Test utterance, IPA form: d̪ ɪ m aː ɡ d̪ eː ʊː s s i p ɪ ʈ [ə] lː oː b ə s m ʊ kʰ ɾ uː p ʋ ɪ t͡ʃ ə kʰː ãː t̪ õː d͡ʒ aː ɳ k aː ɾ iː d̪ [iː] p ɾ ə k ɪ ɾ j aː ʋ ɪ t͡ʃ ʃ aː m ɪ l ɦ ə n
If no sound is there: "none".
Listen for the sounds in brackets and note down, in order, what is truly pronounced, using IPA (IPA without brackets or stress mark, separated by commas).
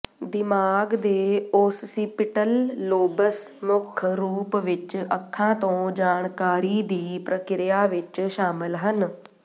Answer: ə, iː